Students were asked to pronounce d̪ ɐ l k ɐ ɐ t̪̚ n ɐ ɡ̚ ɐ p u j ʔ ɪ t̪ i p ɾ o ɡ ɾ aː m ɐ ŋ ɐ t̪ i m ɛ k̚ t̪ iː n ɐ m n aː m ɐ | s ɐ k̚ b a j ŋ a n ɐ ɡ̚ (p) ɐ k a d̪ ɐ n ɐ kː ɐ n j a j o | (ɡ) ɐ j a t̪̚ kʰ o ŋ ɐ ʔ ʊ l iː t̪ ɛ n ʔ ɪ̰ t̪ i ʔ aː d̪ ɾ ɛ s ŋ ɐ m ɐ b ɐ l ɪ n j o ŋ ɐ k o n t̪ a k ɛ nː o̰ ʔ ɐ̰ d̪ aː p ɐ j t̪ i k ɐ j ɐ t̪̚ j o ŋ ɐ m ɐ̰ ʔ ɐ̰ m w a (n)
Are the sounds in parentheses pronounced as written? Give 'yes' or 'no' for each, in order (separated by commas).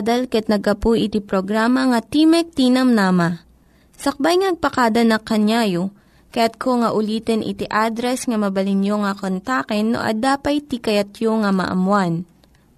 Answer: yes, no, yes